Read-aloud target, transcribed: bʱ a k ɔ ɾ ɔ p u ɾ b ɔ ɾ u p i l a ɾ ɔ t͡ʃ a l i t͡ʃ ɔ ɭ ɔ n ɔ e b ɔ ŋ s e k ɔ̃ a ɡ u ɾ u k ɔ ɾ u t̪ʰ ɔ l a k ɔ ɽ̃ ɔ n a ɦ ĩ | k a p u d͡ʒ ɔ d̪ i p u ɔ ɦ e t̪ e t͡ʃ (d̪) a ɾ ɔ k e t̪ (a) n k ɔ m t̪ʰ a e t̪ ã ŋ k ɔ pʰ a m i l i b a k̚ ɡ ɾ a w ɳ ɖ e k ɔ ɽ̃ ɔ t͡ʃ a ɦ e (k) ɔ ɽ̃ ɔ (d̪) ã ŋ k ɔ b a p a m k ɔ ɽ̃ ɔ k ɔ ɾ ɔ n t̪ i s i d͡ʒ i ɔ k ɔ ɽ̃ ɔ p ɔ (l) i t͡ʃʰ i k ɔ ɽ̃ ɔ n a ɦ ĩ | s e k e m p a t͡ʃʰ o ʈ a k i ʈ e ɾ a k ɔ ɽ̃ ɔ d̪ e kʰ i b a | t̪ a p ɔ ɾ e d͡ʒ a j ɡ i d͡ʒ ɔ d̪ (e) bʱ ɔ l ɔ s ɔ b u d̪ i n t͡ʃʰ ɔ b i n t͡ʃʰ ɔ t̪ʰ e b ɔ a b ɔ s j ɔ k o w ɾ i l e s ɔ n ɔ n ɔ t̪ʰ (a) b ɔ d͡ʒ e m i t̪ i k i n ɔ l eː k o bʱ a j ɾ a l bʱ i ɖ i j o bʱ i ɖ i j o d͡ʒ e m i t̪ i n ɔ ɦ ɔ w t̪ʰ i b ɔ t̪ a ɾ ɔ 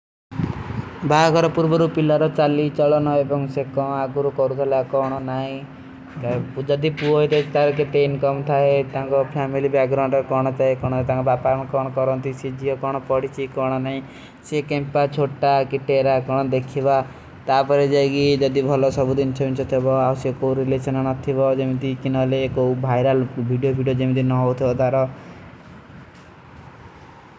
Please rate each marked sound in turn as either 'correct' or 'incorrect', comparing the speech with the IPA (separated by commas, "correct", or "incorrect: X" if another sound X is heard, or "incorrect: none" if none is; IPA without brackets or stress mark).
incorrect: t̪, incorrect: e, correct, incorrect: t̪, incorrect: ɽ, incorrect: i, incorrect: i